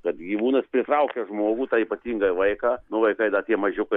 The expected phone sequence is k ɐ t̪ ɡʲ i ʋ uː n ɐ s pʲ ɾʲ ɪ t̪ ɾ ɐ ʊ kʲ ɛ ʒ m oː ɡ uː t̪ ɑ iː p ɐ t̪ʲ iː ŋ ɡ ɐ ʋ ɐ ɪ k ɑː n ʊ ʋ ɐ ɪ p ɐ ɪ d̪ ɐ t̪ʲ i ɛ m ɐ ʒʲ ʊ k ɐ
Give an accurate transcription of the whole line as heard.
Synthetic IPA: k ɐ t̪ ɡʲ i ʋ uː n ɐ s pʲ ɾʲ ɪ t̪ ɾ ɐ ʊ kʲ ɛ ʒ m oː ɡ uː t̪ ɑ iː p ɐ t̪ʲ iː ŋ ɡ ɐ ʋ ɐ ɪ k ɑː n ʊ ʋ ɐ ɪ k ɐ ɪ d̪ ɐ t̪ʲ i ɛ m ɐ ʒʲ ʊ k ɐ